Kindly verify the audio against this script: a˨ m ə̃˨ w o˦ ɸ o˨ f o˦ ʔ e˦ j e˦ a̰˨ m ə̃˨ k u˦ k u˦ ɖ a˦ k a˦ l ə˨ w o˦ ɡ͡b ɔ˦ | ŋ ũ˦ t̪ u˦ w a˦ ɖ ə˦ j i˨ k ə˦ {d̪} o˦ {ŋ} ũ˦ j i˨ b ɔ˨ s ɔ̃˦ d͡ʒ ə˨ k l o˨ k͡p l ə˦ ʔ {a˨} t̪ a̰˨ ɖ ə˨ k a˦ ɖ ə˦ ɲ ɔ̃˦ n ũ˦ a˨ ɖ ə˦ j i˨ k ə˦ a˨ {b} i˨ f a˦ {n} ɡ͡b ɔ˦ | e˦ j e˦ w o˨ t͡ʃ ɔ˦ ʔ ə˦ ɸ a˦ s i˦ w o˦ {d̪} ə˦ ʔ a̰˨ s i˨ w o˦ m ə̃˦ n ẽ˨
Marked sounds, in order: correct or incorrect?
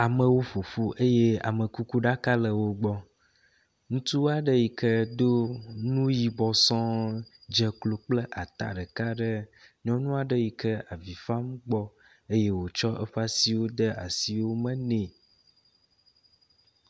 correct, incorrect: n, correct, incorrect: v, incorrect: m, correct

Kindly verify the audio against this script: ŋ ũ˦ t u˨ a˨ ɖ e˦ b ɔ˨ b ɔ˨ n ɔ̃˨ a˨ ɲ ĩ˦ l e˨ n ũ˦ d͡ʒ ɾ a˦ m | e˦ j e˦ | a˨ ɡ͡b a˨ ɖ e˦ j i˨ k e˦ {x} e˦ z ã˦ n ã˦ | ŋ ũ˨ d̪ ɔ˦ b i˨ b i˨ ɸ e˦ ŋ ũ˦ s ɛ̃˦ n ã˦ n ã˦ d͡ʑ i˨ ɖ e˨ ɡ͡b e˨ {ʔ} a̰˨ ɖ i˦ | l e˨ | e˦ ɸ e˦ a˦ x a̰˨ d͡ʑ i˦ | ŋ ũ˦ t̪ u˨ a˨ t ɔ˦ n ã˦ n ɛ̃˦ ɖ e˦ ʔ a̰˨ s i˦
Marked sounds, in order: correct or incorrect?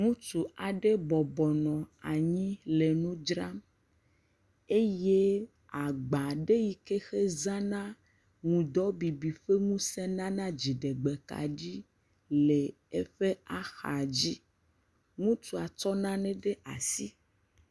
correct, incorrect: k

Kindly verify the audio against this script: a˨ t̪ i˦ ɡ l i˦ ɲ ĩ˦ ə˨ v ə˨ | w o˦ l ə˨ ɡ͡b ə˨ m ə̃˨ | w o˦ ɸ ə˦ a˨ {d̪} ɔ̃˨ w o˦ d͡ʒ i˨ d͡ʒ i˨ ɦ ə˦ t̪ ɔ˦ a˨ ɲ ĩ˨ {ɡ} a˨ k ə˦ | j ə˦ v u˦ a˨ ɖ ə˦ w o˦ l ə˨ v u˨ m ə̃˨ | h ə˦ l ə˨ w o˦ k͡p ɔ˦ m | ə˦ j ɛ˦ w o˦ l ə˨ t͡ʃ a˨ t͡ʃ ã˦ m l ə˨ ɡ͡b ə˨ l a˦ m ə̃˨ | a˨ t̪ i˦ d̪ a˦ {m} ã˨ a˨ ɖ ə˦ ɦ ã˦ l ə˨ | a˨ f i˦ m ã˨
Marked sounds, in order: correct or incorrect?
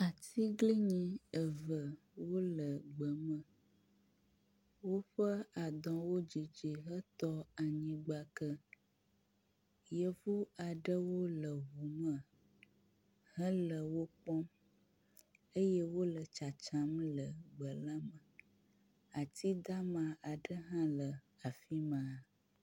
correct, incorrect: ɡ͡b, correct

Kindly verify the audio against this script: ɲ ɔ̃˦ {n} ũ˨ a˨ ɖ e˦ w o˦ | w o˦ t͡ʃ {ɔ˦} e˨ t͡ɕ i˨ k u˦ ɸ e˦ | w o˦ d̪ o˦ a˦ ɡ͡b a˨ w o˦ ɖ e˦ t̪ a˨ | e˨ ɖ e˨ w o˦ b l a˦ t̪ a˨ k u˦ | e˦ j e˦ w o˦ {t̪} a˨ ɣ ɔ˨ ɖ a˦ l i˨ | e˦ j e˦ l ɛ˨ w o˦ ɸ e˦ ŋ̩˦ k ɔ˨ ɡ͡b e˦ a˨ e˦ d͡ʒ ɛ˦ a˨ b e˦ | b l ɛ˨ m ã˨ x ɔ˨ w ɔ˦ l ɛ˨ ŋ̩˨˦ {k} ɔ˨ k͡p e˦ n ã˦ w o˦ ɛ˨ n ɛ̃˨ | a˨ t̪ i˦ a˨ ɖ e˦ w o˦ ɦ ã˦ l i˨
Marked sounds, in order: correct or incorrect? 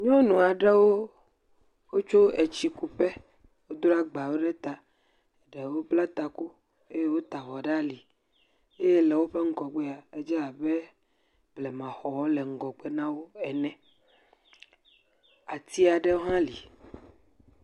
correct, incorrect: o˦, correct, incorrect: ɡ

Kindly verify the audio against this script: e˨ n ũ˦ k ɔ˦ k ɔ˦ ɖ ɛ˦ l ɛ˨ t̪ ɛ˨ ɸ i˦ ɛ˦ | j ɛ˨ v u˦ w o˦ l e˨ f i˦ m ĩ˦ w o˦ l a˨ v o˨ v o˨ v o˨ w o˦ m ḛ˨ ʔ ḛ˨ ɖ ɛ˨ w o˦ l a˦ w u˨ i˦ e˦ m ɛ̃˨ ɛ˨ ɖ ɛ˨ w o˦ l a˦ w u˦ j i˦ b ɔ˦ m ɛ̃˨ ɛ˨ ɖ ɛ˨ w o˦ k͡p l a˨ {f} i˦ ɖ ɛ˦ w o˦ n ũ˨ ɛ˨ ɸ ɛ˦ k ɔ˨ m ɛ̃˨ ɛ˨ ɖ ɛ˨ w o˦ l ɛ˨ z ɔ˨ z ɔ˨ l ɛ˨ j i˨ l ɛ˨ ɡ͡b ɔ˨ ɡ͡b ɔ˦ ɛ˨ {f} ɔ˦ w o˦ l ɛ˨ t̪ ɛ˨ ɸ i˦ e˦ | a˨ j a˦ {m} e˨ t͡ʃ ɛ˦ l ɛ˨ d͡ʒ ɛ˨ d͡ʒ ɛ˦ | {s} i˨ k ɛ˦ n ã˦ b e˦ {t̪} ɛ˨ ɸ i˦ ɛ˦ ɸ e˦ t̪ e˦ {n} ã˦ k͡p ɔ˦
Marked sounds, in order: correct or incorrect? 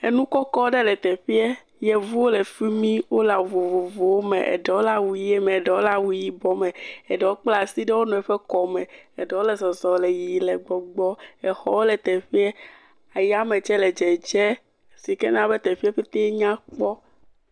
incorrect: s, incorrect: x, correct, correct, correct, incorrect: ɲ

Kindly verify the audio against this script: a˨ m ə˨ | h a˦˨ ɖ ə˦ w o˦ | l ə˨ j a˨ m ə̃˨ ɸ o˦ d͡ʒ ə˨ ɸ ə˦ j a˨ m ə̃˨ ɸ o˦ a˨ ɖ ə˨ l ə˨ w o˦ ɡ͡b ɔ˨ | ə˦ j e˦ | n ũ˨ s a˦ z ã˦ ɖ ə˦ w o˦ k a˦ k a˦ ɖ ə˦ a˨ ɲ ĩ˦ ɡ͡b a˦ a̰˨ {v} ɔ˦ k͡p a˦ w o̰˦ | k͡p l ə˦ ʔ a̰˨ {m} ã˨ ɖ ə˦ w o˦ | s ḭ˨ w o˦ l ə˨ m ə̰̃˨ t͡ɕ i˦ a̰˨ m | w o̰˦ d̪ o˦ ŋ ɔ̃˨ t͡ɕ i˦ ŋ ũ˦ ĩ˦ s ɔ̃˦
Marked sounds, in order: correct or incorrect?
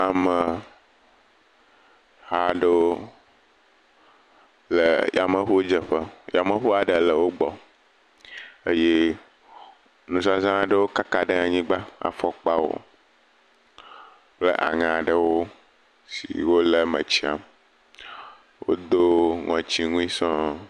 incorrect: f, incorrect: ŋ

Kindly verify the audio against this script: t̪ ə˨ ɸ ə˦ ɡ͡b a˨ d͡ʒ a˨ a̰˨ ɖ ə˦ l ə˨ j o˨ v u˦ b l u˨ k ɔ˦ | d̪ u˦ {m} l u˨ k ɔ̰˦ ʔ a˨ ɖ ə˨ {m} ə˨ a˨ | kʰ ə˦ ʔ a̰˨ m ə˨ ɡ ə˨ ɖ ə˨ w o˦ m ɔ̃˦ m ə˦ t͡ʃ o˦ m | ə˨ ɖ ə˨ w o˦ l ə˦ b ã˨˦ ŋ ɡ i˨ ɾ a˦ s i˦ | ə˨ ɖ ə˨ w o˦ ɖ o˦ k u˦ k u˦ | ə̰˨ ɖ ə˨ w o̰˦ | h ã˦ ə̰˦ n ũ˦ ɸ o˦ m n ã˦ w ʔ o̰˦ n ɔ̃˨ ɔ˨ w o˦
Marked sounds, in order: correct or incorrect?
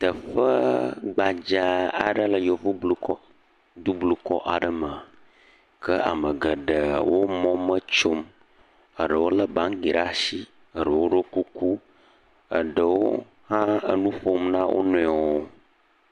incorrect: b, correct

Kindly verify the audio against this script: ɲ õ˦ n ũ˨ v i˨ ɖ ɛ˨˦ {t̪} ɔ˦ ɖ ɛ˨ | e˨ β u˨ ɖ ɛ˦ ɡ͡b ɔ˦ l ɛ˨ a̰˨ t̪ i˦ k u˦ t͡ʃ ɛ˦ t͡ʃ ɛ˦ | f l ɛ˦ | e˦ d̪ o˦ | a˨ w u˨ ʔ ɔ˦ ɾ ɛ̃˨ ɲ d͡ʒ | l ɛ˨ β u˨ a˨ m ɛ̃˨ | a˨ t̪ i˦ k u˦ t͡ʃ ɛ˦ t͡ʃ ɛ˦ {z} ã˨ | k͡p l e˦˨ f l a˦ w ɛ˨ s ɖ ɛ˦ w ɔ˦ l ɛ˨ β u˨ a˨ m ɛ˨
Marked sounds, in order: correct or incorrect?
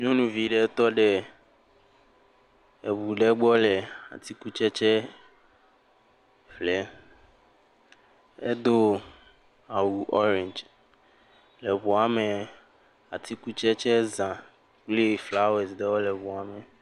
correct, correct

